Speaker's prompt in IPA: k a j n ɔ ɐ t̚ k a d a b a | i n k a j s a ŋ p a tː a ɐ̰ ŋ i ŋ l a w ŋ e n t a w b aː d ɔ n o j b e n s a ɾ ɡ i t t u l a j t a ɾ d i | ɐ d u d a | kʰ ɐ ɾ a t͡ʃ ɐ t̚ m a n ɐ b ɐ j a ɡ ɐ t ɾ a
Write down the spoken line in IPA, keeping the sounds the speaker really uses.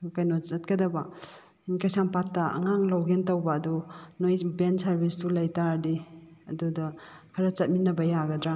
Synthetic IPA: k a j n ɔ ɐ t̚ k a d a b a | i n k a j s a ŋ p a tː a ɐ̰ ŋ a ŋ l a w ɡ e n t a w b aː d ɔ n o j b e n s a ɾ b i s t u l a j t a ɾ d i | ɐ d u d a | kʰ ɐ ɾ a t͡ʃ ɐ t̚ m i n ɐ b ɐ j a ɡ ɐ d ɾ a